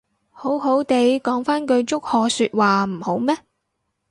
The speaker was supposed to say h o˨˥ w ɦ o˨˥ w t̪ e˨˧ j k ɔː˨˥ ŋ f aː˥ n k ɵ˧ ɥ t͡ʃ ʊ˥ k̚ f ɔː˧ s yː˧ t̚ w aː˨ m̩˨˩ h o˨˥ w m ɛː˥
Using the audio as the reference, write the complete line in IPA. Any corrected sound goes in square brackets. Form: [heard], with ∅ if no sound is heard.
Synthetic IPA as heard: h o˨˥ w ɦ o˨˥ w t̪ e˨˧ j k ɔː˨˥ ŋ f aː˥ n k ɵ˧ ɥ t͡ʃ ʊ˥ k̚ [h] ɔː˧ s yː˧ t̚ w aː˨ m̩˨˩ h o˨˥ w m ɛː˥